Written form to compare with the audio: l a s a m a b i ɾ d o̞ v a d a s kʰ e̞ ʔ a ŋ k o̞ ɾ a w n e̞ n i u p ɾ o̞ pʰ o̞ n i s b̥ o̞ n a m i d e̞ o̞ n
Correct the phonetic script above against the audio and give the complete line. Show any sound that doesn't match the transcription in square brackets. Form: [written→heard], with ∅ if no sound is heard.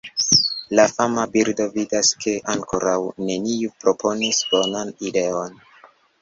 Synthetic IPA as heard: l a [s→f] a m a b i ɾ d o̞ v [a→i] d a s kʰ e̞ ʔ a ŋ k o̞ ɾ a w n e̞ n i u p ɾ o̞ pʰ o̞ n i s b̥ o̞ n a [m→n] i d e̞ o̞ n